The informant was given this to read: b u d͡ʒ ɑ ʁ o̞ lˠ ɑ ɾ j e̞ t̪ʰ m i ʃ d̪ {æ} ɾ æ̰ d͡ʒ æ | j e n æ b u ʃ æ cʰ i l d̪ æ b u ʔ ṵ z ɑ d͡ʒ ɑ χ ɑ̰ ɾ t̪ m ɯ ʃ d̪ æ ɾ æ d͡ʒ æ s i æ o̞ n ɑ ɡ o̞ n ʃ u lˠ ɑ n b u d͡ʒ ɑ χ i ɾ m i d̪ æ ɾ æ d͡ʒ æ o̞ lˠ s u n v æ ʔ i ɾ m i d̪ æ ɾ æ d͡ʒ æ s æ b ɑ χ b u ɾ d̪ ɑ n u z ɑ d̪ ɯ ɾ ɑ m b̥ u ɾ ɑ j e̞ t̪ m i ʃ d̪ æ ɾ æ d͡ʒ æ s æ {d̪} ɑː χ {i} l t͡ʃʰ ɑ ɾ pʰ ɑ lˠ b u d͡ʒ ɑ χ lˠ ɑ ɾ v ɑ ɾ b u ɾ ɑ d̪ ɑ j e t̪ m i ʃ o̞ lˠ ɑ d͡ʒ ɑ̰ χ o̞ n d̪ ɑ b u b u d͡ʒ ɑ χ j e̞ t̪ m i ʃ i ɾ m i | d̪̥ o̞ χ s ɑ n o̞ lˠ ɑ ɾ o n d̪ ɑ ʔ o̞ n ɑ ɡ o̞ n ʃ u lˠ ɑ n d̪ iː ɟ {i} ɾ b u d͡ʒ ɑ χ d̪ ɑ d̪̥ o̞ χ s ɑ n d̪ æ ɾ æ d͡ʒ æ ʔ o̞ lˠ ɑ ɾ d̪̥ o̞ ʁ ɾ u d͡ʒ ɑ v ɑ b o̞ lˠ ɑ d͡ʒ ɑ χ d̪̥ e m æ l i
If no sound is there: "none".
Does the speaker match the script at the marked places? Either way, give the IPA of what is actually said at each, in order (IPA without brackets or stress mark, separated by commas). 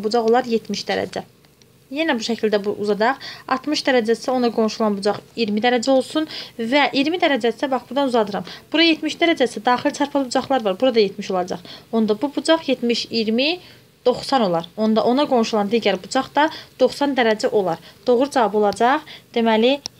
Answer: æ, d̪, i, æ